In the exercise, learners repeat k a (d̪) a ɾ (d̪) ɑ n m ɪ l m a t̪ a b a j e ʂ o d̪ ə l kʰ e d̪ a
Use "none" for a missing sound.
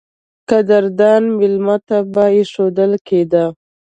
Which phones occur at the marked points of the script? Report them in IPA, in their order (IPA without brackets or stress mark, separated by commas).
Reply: d̪, d̪